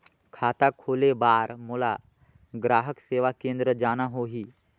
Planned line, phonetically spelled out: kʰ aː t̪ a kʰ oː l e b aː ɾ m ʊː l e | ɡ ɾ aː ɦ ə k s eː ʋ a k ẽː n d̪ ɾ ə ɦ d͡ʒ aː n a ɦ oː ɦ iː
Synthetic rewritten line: kʰ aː t̪ a kʰ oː l e b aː ɾ m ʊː l a | ɡ ɾ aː ɦ ə k s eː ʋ a k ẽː n d̪ ɾ ə d͡ʒ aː n a ɦ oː ɦ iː